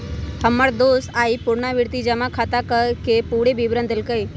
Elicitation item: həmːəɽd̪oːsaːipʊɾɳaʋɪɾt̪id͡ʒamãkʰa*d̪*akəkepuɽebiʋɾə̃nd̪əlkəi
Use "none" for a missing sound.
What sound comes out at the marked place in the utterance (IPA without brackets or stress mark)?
t̪